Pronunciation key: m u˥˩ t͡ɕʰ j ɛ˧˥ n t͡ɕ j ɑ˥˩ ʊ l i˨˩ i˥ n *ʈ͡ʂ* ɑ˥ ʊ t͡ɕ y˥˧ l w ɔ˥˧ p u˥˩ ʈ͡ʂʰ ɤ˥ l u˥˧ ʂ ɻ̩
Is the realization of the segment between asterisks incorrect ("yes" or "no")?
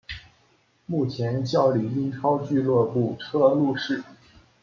yes